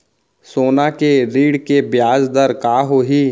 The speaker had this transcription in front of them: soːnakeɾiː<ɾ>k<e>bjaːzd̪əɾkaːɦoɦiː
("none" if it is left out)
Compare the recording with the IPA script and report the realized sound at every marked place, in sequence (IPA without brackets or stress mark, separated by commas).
ɽ, e